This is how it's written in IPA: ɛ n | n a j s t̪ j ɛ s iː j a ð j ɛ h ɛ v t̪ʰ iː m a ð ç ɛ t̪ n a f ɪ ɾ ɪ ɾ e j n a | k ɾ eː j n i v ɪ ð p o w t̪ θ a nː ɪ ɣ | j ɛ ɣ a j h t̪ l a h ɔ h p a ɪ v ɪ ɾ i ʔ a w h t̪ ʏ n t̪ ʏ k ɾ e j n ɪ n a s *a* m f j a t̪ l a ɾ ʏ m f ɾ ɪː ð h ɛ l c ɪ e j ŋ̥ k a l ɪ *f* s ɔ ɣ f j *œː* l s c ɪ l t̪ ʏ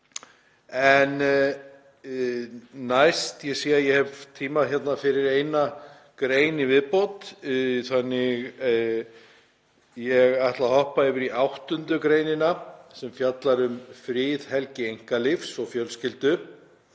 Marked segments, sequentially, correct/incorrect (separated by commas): incorrect, correct, incorrect